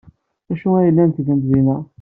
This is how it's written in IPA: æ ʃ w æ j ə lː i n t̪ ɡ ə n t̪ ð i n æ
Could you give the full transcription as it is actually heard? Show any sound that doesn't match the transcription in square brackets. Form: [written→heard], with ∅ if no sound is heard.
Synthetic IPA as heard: æ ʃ [w→u] æ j ə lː [i→æ] n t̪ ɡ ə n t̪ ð i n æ